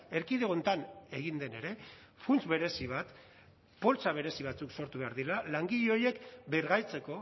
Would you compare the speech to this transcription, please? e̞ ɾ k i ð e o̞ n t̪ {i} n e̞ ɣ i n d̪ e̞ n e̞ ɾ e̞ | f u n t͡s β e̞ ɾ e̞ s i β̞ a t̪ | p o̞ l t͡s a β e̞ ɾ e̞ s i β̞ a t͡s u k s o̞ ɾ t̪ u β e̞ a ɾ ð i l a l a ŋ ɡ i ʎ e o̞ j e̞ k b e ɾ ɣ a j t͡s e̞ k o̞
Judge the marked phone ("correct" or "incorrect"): incorrect